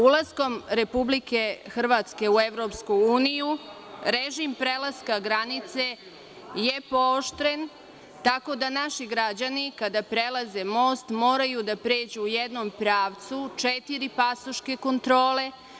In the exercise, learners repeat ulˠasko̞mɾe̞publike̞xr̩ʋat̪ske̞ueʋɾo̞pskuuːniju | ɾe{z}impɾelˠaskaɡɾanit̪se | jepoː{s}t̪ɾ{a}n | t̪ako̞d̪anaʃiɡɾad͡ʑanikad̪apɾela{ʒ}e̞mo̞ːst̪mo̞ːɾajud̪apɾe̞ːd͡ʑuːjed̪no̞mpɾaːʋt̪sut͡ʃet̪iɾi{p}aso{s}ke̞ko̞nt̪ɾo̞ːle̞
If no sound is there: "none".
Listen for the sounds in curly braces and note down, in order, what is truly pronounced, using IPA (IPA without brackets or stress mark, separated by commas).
ʒ, ʃ, e, z, p, ʃ